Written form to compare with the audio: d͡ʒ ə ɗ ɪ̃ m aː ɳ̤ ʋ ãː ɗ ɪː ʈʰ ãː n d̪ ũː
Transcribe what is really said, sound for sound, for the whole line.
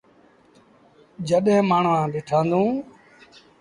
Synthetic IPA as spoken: d͡ʒ ə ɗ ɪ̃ m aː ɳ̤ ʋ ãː ɗ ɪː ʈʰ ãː n d̪ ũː